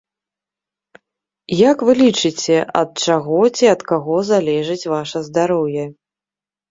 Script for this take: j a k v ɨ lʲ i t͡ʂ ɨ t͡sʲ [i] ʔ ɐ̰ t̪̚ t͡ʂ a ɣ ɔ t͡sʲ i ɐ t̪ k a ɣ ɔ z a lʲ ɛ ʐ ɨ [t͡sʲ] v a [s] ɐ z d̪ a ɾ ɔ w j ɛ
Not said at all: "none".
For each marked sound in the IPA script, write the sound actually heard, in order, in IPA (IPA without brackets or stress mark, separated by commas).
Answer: ɛ, t͡sʲ, ʂ